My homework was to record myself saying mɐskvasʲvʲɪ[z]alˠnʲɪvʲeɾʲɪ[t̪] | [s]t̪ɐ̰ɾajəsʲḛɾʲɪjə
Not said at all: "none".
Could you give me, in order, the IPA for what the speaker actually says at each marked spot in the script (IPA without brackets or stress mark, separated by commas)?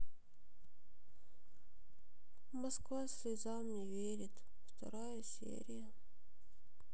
z, t̪, f